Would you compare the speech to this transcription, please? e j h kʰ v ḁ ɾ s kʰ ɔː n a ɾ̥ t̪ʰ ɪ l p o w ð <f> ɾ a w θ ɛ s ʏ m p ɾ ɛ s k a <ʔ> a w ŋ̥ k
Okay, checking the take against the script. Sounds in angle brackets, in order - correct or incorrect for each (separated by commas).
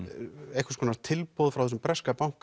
correct, incorrect